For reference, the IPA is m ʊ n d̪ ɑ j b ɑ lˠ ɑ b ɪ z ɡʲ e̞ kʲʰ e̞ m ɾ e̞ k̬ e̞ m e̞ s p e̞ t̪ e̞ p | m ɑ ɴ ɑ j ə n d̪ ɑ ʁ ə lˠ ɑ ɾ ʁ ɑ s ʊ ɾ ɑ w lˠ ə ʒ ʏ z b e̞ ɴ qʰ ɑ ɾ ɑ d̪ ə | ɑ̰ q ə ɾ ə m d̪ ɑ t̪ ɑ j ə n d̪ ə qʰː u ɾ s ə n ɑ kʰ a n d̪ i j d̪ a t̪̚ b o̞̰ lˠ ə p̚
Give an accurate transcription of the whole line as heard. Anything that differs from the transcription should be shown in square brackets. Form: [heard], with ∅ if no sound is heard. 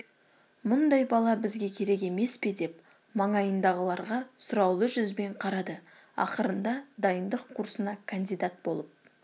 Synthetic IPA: m ʊ n d̪ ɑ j b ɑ lˠ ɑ b ɪ z ɡʲ e̞ kʲʰ e̞ [∅] ɾ e̞ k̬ e̞ m e̞ s p e̞ [d̪] e̞ p | m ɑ ɴ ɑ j ə n d̪ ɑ ʁ ə lˠ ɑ ɾ ʁ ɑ s ʊ ɾ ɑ w lˠ ə ʒ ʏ z b e̞ ɴ qʰ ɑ ɾ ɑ d̪ ə | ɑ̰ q ə ɾ ə [n] d̪ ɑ [d̪] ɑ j ə n d̪ ə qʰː u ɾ s ə n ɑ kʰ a n d̪ i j d̪ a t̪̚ b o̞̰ lˠ ə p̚

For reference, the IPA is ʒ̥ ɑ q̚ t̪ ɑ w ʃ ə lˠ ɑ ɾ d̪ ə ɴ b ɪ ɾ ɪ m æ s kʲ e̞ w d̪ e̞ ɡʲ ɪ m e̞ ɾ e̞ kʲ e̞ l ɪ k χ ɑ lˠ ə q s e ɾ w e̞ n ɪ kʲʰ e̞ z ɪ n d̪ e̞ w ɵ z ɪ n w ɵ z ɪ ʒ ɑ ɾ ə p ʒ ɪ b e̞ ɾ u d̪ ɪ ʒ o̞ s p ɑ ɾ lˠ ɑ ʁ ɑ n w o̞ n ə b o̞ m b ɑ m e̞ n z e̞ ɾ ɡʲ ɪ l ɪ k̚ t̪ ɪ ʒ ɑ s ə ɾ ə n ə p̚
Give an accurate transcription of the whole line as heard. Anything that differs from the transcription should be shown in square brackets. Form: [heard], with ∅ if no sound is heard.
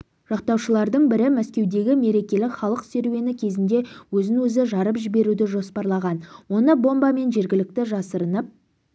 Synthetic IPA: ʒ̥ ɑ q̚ t̪ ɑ w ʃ ə lˠ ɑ ɾ d̪ ə ɴ b ɪ ɾ ɪ m æ s kʲ e̞ w d̪ e̞ ɡʲ ɪ m e̞ ɾ e̞ kʲ e̞ l ɪ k χ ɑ lˠ ə q s e ɾ w e̞ n ɪ kʲʰ e̞ z ɪ n d̪ e̞ w ɵ z ɪ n w ɵ z ɪ ʒ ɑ ɾ ə p ʒ ɪ b e̞ ɾ u d̪ ɪ ʒ o̞ s p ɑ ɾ lˠ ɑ ʁ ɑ n w o̞ n ə b o̞ m b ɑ m e̞ n [ʒ] e̞ ɾ ɡʲ ɪ l ɪ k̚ t̪ ɪ ʒ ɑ s ə ɾ ə n ə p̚

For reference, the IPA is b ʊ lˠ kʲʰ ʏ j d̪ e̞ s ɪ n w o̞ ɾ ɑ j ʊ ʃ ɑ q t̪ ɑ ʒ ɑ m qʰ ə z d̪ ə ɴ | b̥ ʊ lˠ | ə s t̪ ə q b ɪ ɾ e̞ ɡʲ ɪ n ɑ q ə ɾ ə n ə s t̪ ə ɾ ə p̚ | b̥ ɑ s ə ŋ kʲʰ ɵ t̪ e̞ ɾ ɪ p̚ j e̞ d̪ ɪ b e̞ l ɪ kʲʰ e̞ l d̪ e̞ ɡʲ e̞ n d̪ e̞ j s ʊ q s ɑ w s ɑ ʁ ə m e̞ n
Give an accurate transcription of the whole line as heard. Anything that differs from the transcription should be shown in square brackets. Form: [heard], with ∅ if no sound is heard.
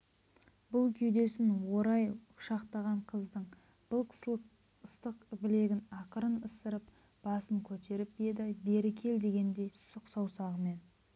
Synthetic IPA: b ʊ lˠ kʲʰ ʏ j d̪ e̞ s ɪ n w o̞ ɾ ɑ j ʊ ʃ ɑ q t̪ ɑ [ʁ] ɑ [ɴ] qʰ ə z d̪ ə ɴ | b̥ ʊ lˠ | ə s t̪ ə q b ɪ [l] e̞ ɡʲ ɪ n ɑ q ə ɾ ə n ə s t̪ ə ɾ ə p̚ | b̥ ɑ s ə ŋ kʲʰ ɵ t̪ e̞ ɾ ɪ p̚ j e̞ d̪ ɪ b e̞ [ɾ] ɪ kʲʰ e̞ l d̪ e̞ ɡʲ e̞ n d̪ e̞ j s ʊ q s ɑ w s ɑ ʁ ə m e̞ n

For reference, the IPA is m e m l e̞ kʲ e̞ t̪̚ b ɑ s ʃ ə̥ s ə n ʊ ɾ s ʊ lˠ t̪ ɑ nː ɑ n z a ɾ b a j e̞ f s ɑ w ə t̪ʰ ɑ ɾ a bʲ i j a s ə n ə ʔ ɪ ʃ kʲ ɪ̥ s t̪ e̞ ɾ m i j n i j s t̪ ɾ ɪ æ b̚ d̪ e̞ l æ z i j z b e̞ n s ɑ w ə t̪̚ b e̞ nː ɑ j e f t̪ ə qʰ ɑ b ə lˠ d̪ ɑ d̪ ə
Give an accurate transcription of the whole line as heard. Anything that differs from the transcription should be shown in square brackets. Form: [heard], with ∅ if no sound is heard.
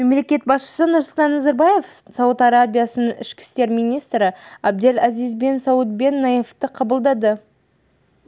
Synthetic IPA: m e m l e̞ kʲ e̞ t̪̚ b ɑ s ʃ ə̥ s ə n ʊ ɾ s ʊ lˠ t̪ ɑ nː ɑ [∅] z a ɾ b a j e̞ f s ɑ w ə [t̪] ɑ ɾ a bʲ i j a s ə n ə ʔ ɪ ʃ kʲ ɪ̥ s t̪ e̞ ɾ m i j n i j s t̪ ɾ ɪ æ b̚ d̪ e̞ l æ z i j z b e̞ n s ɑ w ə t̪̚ b e̞ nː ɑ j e f t̪ ə qʰ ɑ b ə lˠ d̪ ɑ d̪ ə

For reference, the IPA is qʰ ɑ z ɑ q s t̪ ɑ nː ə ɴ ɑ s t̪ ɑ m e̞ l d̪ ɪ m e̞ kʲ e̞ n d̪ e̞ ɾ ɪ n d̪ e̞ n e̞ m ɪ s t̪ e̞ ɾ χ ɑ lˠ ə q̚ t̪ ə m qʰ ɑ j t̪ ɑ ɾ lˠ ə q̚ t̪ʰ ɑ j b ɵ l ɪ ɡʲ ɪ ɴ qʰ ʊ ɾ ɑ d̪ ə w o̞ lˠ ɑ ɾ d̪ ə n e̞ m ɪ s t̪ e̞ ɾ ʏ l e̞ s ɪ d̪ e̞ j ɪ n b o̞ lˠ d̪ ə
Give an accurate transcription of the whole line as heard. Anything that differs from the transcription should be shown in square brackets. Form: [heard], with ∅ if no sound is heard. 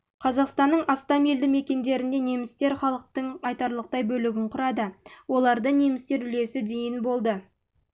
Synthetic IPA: qʰ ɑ z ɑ q s t̪ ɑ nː ə ɴ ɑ s t̪ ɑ m e̞ l d̪ ɪ m e̞ kʲ e̞ n d̪ e̞ ɾ ɪ n d̪ e̞ n e̞ m ɪ s t̪ e̞ ɾ χ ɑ lˠ ə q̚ t̪ ə [ɴ] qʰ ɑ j t̪ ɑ ɾ lˠ ə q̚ [t̪] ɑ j b ɵ l ɪ ɡʲ ɪ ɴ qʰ ʊ ɾ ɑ d̪ ə w o̞ lˠ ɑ ɾ d̪ ə n e̞ m ɪ s t̪ e̞ ɾ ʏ l e̞ s ɪ d̪ e̞ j ɪ n b o̞ lˠ d̪ ə

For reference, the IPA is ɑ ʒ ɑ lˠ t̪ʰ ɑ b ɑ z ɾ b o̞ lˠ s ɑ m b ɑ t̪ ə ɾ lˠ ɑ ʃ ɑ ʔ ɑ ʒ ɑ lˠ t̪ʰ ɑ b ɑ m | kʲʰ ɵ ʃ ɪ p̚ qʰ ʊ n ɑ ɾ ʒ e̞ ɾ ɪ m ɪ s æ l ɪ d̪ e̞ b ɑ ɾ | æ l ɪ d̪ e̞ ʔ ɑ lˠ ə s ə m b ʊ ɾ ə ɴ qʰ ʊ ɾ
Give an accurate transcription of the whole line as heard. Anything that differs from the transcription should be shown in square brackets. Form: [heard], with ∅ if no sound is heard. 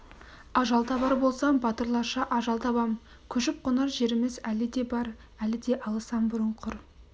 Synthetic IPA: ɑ ʒ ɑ lˠ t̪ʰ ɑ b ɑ [∅] ɾ b o̞ lˠ s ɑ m b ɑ t̪ ə ɾ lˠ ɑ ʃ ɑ ʔ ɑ ʒ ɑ lˠ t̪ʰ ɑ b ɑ m | kʲʰ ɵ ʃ ɪ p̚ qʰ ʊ n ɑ ɾ ʒ e̞ ɾ ɪ m ɪ [z] æ l ɪ d̪ e̞ b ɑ ɾ | æ l ɪ d̪ e̞ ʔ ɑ lˠ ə s [ɑ] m b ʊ ɾ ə ɴ qʰ ʊ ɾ

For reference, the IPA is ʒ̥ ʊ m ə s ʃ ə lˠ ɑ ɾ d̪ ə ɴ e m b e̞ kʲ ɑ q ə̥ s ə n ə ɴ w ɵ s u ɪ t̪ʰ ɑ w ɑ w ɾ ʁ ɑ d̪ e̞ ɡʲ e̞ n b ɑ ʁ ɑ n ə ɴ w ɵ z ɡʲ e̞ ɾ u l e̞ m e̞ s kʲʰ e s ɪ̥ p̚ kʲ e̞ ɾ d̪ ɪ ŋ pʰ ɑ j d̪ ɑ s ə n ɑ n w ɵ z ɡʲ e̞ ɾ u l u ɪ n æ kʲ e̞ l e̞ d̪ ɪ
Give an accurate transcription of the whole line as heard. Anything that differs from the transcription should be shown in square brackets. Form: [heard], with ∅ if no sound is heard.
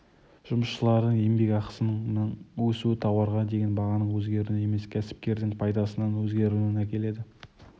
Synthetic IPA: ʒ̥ ʊ m ə s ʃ ə lˠ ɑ ɾ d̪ ə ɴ e m b e̞ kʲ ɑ q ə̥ s ə n ə ɴ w ɵ s u ɪ t̪ʰ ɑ w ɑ [∅] ɾ ʁ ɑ d̪ e̞ ɡʲ e̞ n b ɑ ʁ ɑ n ə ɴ w ɵ z ɡʲ e̞ ɾ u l e̞ m e̞ s kʲʰ [æ] s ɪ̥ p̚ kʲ e̞ ɾ d̪ ɪ ŋ pʰ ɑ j d̪ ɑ s ə n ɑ n w ɵ z ɡʲ e̞ ɾ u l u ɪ n æ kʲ e̞ l e̞ d̪ ɪ

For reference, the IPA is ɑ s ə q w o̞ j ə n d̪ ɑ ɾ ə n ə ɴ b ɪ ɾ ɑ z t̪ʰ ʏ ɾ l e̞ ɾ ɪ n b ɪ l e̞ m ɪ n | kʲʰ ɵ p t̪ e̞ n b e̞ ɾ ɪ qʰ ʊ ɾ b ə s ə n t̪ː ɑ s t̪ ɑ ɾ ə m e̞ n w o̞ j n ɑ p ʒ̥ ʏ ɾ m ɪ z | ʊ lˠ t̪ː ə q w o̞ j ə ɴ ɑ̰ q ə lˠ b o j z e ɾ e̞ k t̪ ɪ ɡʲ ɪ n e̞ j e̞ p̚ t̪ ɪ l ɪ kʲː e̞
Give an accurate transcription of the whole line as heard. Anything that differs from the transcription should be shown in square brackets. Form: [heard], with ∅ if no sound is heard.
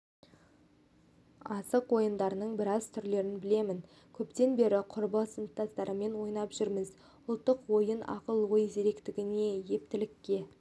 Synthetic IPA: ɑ s ə q w o̞ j ə n d̪ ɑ ɾ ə n ə ɴ b ɪ ɾ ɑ z t̪ʰ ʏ ɾ l e̞ ɾ ɪ n b ɪ l e̞ m ɪ n | kʲʰ ɵ p t̪ e̞ n b e̞ ɾ ɪ qʰ ʊ ɾ b ə s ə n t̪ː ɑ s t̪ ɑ ɾ ə m e̞ n w o̞ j n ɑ p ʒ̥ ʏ ɾ m ɪ z | ʊ lˠ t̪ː ə q w o̞ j ə [n] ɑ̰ q ə lˠ [w] o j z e ɾ e̞ k t̪ ɪ ɡʲ ɪ n e̞ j e̞ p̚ t̪ ɪ l ɪ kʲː e̞

